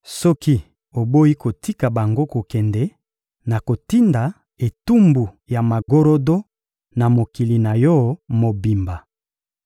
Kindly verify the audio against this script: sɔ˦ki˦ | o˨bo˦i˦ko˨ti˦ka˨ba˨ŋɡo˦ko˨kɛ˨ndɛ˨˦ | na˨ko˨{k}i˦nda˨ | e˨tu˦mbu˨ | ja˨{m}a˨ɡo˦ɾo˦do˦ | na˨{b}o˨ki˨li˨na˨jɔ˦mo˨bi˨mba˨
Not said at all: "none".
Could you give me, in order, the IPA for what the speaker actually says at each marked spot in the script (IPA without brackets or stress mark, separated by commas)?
t, m, m